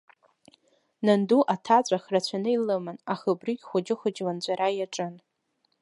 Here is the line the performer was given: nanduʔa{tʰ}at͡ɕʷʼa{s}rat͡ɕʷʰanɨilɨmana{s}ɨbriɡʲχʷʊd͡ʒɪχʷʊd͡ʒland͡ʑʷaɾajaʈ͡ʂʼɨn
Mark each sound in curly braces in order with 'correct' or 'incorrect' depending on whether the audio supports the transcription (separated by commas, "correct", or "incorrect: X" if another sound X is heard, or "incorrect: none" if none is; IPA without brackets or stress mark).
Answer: correct, incorrect: χ, incorrect: χ